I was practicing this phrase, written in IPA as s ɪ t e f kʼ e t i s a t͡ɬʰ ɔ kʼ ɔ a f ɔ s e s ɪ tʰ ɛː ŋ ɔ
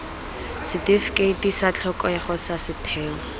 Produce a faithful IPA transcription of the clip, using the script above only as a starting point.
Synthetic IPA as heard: s ɪ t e f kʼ e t i s a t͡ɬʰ ɔ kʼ ɔ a χ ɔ s a s ɪ tʰ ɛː ŋ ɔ